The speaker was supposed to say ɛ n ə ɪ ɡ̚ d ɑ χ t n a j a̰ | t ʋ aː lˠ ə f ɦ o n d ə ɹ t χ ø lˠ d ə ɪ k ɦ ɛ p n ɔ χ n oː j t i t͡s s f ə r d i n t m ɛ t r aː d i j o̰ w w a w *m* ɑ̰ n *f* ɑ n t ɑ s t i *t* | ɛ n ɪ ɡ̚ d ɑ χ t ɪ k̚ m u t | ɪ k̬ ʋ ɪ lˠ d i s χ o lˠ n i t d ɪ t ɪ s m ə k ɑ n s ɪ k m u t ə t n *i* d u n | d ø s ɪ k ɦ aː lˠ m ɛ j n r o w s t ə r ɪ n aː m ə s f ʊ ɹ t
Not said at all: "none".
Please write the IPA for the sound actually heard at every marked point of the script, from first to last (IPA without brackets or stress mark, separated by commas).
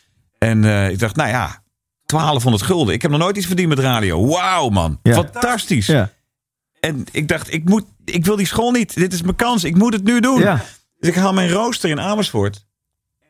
m, f, s, y